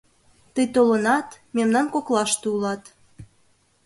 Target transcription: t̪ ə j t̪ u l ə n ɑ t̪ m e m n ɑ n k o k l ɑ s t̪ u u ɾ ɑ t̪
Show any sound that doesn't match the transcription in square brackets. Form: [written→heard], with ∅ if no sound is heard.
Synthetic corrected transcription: t̪ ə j t̪ [u→o] l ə n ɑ t̪ m e m n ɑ n k o k l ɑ [s→ʃ] t̪ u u [ɾ→l] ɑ t̪

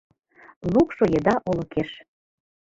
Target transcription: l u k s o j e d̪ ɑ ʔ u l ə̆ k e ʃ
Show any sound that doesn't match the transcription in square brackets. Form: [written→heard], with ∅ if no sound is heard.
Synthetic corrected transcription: l u k [s→ʃ] o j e d̪ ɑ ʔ [u→o] l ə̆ k e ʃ

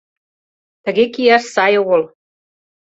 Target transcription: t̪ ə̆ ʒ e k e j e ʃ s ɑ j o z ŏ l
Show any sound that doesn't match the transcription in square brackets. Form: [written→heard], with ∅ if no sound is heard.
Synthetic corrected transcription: t̪ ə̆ [ʒ→ɣ] e k [e→i] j [e→æ] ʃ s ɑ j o [z→ɣ] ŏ l

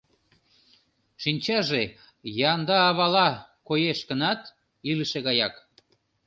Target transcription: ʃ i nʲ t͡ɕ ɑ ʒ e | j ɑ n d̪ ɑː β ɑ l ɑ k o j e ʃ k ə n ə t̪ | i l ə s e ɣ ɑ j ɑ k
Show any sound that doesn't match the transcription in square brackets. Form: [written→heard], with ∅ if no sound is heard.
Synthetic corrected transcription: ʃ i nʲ t͡ɕ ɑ ʒ e | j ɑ n d̪ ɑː β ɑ l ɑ k o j e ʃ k ə n [ə→ɑ] t̪ | i l ə [s→ʃ] e ɣ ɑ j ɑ k

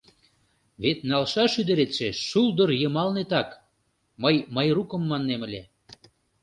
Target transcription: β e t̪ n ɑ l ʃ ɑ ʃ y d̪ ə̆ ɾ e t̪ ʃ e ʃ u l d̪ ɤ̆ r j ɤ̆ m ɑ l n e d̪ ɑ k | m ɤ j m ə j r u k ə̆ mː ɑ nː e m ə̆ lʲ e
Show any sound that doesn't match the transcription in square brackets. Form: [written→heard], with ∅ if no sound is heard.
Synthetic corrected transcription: β e t̪ n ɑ l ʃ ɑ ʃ y d̪ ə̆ ɾ e t̪ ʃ e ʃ u l d̪ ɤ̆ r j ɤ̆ m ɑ l n e [d̪→t̪] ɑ k | m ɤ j m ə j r u k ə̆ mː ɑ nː e m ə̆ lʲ e

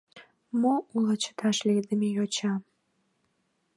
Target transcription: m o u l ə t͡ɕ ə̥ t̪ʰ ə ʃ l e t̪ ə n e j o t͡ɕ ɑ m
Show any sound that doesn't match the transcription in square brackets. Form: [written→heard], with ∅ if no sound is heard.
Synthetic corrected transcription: m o u l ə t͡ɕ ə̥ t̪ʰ [ə→ɑ] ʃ l e [t̪→d̪] ə [n→m] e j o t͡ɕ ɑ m

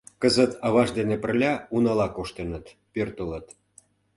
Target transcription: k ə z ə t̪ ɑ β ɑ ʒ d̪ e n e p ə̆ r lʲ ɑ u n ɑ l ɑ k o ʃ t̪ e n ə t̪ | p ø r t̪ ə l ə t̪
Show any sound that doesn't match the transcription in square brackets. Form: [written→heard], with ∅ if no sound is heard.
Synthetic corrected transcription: k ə z ə t̪ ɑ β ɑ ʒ d̪ e n e p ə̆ r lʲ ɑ u n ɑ l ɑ k o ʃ t̪ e n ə t̪ | p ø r t̪ ə l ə t̪

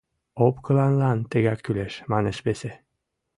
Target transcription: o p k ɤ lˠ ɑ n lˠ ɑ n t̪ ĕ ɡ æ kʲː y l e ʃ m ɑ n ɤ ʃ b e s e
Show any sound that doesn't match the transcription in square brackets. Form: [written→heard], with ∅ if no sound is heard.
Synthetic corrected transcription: o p k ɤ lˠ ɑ n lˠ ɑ n t̪ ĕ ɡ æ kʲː y l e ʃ m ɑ n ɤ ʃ b e s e

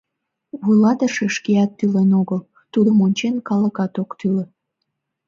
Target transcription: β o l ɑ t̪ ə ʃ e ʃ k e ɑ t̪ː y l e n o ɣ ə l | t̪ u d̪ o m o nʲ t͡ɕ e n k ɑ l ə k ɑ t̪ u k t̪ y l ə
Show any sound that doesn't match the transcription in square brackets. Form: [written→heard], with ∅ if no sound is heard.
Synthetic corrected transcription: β [o→u] l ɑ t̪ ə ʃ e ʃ k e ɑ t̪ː y l e n o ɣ ə l | t̪ u d̪ o m o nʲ t͡ɕ e n k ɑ l ə k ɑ t̪ [u→o] k t̪ y l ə

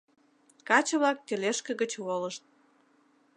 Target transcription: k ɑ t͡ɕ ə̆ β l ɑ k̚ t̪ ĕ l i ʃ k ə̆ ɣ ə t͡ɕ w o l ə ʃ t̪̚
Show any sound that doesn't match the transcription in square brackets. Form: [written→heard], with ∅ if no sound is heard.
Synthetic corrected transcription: k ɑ t͡ɕ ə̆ β l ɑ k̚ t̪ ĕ l [i→e] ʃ k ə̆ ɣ ə t͡ɕ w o l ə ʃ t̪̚

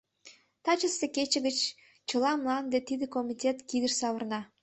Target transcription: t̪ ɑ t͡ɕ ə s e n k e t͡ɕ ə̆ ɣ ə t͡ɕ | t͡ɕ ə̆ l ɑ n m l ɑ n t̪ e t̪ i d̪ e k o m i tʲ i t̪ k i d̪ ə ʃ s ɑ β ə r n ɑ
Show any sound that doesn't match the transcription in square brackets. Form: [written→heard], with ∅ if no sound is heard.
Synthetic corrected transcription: t̪ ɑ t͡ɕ ə s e [n→∅] k e t͡ɕ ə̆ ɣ ə t͡ɕ | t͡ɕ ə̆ l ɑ [n→∅] m l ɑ n [t̪→d̪] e t̪ i d̪ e k o m i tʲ [i→e] t̪ k i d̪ ə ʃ s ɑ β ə r n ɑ

